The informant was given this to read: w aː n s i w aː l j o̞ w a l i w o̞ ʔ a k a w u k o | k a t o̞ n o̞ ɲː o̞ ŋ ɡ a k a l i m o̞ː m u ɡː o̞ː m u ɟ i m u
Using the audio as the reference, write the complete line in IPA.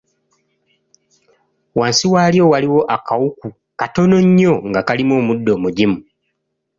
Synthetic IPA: w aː n s i w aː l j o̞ w a l i w o̞ ʔ a k a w u k u | k a t o̞ n o̞ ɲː o̞ ŋ ɡ a k a l i m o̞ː m u dː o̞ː m u ɟ i m u